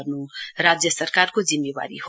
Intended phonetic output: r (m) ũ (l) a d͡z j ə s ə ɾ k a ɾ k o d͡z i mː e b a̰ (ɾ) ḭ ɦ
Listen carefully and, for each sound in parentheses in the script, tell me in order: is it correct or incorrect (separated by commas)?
incorrect, incorrect, correct